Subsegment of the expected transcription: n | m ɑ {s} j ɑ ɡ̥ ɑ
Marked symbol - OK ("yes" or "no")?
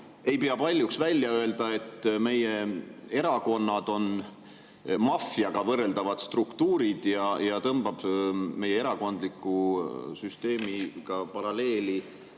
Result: no